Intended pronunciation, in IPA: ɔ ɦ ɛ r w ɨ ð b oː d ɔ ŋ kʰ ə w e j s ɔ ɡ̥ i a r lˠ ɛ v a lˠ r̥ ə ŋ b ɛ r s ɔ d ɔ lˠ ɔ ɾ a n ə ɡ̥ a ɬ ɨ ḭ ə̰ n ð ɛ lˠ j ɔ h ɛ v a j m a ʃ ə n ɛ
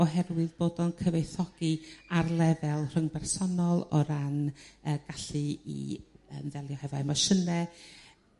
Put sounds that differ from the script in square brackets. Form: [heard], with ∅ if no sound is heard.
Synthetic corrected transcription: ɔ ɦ ɛ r w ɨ ð b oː d ɔ [n] kʰ ə [v] e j [θ] ɔ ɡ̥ i a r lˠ ɛ v [ɛ] lˠ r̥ ə ŋ b ɛ r s ɔ [n] ɔ lˠ ɔ ɾ a n ə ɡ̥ a ɬ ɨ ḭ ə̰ n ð ɛ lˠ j ɔ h ɛ v a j m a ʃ ə n ɛ